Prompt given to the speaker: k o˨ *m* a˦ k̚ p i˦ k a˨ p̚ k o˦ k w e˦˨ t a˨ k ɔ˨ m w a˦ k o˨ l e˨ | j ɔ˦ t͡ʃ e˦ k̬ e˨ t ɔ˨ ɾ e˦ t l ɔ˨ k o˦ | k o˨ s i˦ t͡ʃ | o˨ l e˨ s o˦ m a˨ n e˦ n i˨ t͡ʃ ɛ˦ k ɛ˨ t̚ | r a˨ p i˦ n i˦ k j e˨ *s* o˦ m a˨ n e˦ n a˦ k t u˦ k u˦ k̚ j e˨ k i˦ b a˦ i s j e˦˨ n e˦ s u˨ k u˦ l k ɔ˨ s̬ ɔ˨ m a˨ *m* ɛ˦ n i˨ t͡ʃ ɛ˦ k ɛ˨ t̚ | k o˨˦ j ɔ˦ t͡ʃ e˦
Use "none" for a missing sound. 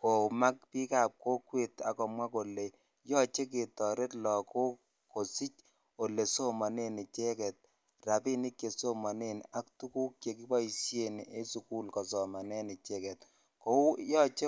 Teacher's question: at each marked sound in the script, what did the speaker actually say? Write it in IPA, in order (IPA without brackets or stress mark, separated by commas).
m, s, n